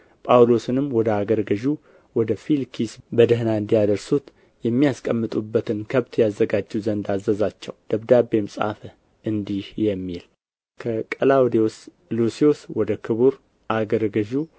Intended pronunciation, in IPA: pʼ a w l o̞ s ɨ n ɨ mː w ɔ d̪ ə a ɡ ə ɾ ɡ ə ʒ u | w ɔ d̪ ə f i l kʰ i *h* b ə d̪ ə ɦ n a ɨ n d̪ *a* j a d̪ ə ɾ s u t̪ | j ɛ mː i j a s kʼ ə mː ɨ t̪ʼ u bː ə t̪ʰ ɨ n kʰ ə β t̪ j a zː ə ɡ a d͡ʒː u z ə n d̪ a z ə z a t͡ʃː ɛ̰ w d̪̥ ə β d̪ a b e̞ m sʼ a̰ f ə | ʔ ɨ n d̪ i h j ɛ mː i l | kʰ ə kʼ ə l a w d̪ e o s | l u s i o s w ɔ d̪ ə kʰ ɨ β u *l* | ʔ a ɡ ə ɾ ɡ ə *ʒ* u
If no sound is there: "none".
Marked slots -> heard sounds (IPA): s, i, ɾ, ʒ

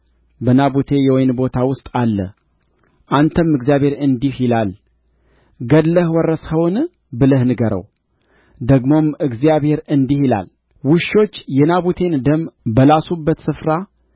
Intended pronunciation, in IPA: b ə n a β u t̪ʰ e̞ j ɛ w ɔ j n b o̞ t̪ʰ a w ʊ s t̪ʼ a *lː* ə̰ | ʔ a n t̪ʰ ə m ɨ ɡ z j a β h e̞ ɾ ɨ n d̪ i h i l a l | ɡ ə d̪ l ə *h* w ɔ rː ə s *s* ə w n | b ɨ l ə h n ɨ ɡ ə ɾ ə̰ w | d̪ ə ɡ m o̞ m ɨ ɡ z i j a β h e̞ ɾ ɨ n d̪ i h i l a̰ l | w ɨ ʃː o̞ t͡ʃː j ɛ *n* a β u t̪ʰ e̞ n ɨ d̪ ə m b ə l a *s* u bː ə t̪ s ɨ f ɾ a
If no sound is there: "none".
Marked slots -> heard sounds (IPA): lː, h, h, n, s

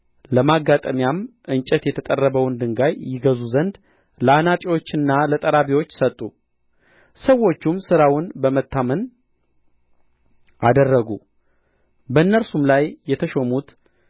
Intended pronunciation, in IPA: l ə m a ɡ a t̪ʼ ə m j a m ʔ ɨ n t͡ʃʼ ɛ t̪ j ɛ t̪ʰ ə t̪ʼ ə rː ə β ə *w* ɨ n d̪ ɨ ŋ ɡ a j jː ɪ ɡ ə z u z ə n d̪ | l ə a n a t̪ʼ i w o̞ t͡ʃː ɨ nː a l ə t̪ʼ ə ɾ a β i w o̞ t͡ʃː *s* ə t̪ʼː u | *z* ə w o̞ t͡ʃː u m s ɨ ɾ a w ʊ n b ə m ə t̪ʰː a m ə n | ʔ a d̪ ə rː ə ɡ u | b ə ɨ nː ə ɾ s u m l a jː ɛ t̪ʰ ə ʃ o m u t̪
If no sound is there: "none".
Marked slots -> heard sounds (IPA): w, s, s

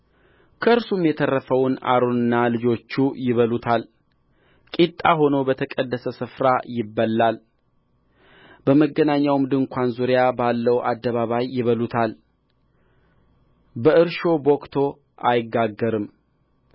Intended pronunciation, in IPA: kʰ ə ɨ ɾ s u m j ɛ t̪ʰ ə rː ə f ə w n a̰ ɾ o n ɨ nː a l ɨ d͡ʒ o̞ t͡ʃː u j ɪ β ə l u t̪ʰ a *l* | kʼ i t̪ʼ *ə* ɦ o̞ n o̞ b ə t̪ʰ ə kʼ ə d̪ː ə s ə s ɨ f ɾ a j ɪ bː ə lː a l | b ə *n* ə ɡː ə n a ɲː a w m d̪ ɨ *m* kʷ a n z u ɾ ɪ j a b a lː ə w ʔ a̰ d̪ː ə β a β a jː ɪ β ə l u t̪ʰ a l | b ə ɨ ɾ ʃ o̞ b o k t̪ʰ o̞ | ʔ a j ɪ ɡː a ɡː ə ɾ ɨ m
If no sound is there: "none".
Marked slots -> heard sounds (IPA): l, a, m, ŋ

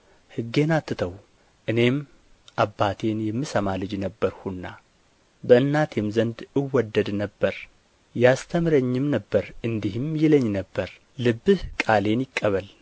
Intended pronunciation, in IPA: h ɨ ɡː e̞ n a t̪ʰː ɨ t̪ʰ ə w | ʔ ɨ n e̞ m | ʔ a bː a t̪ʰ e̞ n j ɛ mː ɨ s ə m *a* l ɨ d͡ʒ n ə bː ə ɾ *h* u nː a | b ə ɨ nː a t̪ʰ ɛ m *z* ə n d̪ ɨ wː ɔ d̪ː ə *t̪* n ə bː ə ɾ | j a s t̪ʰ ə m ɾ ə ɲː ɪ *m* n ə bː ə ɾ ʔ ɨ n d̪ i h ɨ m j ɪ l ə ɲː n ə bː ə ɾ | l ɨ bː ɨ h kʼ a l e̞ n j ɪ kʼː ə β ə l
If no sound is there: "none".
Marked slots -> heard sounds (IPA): a, h, z, d̪, m

